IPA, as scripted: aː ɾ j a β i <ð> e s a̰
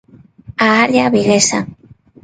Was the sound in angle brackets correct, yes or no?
no